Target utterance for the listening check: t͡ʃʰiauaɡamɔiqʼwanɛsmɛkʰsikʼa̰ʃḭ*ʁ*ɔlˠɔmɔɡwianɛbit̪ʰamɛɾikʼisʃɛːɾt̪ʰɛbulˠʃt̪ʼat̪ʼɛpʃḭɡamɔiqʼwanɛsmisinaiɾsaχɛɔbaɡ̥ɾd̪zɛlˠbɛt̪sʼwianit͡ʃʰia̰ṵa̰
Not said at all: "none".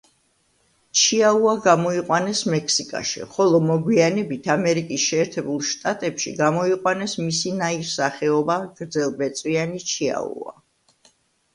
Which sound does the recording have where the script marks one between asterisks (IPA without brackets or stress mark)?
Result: χ